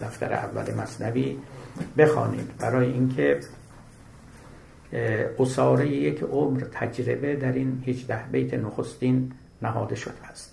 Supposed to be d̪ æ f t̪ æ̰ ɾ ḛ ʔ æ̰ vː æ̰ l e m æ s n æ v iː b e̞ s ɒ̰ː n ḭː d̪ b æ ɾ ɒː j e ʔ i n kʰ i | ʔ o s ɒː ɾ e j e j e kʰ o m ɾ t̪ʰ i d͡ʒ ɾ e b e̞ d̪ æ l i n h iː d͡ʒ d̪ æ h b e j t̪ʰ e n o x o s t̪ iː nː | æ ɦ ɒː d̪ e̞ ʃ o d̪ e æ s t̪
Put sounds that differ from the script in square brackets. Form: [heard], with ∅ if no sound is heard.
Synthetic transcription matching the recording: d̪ æ f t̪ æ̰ ɾ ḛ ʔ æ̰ vː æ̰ l e m æ s n æ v iː b e̞ [x] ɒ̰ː n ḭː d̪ b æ ɾ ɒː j e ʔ i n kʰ [e] | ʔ o s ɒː ɾ e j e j e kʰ o m ɾ t̪ʰ [æ] d͡ʒ ɾ e b e̞ d̪ æ [ɾ] i n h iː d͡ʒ d̪ æ h b e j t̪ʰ e n o x o s t̪ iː nː | æ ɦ ɒː d̪ e̞ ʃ o d̪ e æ s t̪